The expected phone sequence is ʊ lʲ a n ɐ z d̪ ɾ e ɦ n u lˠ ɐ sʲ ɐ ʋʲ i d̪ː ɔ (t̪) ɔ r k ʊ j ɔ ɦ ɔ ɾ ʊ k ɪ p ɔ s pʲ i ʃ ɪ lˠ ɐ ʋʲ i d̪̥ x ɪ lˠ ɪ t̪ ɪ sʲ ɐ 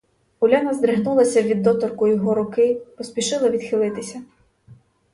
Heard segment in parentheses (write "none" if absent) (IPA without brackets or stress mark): t̪